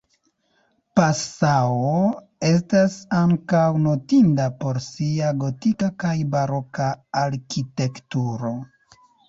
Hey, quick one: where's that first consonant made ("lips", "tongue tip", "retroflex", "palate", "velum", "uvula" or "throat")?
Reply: lips